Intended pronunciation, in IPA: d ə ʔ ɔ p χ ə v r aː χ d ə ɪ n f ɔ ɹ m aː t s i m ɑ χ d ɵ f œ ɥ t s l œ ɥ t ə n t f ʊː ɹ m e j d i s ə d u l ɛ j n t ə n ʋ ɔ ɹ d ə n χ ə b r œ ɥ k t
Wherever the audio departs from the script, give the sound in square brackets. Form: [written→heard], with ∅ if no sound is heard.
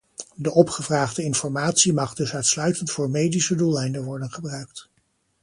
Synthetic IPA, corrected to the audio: d ə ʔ ɔ p χ ə v r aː χ d ə ɪ n f ɔ ɹ m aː t s i m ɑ χ d ɵ [f→s] œ ɥ t s l œ ɥ t ə n t f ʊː ɹ m e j d i s ə d u l ɛ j n [t→d] ə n ʋ ɔ ɹ d ə n χ ə b r œ ɥ k t